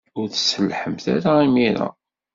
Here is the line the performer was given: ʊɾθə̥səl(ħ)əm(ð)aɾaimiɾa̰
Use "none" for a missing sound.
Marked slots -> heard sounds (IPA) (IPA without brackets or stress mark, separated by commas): ħ, θ